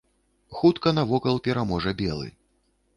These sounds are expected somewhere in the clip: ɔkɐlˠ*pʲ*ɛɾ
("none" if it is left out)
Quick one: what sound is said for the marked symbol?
pʲ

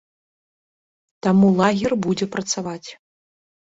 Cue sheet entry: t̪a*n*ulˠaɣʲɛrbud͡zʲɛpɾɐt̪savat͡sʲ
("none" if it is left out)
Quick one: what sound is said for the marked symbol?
m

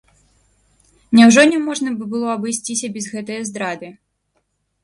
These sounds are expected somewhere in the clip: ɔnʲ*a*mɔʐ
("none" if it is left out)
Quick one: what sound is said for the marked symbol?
ɛ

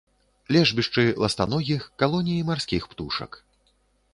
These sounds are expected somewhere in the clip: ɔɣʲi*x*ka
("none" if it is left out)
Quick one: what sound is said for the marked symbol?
x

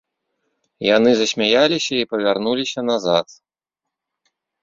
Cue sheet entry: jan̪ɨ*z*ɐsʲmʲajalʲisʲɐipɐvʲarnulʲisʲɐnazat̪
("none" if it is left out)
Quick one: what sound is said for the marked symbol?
z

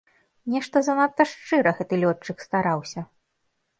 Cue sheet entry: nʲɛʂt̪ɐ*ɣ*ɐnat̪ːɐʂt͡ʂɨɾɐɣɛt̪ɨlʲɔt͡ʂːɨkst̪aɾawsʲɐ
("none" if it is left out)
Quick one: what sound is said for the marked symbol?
z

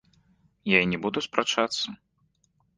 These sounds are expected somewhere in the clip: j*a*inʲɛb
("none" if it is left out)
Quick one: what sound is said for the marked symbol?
a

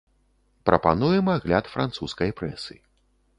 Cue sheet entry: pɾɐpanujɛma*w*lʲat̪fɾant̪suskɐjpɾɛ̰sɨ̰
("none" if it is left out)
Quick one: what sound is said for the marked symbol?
ɣ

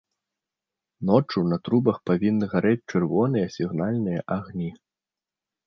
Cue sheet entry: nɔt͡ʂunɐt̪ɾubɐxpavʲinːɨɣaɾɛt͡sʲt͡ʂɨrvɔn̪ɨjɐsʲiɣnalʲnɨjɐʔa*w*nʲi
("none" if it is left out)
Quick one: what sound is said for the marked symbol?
ɣ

